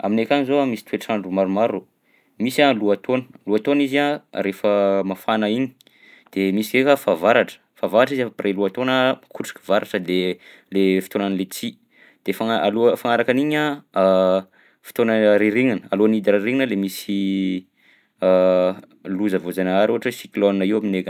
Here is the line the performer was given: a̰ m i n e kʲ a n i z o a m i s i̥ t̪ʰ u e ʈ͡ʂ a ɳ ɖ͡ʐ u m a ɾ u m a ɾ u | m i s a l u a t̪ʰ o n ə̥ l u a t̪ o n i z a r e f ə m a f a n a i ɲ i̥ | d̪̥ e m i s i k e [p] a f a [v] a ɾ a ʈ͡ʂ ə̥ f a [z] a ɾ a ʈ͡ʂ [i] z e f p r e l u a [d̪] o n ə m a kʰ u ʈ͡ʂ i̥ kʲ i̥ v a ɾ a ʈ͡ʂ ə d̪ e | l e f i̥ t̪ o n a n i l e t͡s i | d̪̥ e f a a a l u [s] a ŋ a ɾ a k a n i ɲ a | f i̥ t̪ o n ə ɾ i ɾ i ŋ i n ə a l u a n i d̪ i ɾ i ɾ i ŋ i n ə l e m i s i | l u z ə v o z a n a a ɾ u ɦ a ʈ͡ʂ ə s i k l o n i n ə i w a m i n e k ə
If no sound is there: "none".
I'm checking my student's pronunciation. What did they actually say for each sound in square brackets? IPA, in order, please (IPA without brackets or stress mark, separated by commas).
k, v, v, i, t̪, f